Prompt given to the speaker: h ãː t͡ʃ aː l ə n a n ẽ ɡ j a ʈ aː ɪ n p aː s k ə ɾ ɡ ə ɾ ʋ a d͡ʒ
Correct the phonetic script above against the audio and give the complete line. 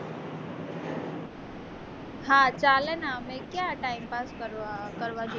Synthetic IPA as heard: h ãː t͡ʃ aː l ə n a m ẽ k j a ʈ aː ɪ m p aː s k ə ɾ k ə ɾ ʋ a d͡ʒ

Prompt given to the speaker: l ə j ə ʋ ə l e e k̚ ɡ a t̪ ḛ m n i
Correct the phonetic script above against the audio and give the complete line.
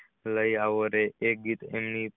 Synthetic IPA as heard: l ə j a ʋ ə ɾ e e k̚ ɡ i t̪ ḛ m n i

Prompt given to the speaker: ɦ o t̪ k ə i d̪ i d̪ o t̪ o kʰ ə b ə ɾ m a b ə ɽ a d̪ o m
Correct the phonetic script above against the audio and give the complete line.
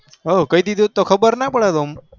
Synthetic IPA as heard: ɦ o k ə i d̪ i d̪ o t̪ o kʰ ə b ə ɾ n a p ə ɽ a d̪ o m

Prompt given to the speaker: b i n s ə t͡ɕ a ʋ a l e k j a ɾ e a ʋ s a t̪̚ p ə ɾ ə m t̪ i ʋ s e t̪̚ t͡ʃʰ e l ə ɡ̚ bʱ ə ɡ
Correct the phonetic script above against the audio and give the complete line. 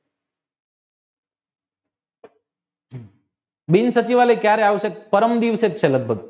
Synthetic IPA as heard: b i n s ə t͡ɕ i ʋ a l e k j a ɾ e a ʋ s e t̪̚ p ə ɾ ə m d̪ i ʋ s e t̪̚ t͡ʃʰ e l ə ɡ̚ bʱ ə ɡ

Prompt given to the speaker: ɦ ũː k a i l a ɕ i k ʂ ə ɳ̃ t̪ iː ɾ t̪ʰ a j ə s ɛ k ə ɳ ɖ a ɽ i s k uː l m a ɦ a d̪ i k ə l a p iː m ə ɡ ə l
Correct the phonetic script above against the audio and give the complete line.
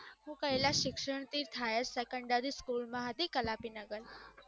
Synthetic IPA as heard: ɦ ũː k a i l a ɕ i k ʂ ə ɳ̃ t̪ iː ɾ t̪ʰ a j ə s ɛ k ə ɳ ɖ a ɾ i s k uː l m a ɦ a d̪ i k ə l a p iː n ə ɡ ə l

